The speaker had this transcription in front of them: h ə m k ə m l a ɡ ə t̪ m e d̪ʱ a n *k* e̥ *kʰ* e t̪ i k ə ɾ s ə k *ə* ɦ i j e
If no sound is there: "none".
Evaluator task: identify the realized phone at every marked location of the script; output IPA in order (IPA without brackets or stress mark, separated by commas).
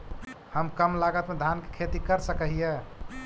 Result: k, kʰ, ə